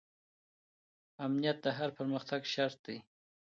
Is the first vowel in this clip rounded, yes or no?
no